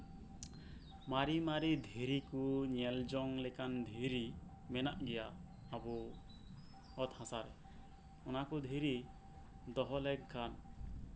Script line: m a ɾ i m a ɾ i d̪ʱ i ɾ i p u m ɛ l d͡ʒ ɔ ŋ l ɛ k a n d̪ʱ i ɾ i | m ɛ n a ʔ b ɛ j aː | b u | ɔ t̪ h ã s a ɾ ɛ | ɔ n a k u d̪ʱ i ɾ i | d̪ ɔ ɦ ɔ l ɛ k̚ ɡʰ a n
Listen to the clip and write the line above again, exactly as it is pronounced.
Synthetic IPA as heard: m a ɾ i m a ɾ i d̪ʱ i ɾ i k u ɲ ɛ l d͡ʒ ɔ ŋ l ɛ k a n d̪ʱ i ɾ i | m ɛ n a ʔ ɡ ɛ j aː | b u | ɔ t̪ h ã s a ɾ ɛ | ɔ n a k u d̪ʱ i ɾ i | d̪ ɔ ɦ ɔ l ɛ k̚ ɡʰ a n